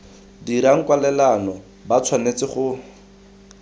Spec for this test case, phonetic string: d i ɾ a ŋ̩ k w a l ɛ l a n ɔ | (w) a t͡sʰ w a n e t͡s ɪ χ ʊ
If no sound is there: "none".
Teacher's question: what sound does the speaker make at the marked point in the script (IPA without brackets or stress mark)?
b